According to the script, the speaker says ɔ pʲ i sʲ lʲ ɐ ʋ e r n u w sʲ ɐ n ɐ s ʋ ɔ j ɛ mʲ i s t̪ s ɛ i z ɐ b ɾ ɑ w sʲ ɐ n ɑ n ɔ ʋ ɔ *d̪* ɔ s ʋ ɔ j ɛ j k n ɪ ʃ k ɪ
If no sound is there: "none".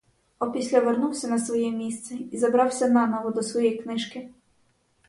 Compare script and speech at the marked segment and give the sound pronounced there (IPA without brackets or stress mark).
d̪